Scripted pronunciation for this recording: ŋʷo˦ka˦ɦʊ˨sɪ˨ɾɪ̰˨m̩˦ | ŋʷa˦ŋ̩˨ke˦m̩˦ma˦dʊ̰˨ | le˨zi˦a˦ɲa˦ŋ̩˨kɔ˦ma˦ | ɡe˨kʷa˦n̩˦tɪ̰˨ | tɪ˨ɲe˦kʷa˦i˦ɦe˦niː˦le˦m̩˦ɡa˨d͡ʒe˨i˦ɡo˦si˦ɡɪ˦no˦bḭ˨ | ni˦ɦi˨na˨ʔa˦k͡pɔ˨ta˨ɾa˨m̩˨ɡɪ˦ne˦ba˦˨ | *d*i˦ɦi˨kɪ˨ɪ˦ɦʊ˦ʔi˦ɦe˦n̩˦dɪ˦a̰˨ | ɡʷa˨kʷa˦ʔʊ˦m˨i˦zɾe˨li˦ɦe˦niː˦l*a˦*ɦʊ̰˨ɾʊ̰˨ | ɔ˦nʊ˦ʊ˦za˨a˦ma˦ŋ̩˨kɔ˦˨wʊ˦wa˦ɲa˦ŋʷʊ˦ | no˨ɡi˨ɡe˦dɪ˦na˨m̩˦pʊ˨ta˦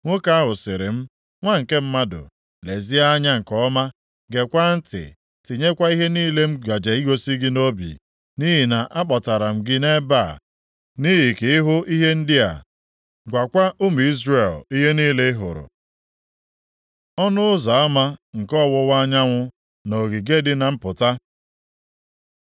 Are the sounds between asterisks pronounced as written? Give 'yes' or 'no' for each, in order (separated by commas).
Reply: no, no